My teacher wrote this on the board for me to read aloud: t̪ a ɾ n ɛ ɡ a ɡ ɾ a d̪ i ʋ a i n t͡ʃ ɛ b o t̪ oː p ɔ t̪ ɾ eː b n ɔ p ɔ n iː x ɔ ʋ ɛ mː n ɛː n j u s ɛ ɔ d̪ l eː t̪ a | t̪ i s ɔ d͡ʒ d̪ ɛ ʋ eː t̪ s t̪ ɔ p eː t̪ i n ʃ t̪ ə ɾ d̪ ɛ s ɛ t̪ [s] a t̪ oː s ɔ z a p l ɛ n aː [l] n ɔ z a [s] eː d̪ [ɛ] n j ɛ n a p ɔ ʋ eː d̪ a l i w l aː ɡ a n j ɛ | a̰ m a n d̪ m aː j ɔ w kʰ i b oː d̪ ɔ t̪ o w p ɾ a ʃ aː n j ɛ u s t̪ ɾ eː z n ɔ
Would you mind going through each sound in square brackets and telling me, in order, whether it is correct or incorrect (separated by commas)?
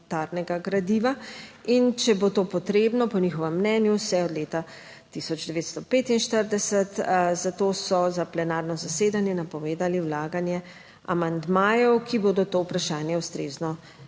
incorrect, incorrect, correct, incorrect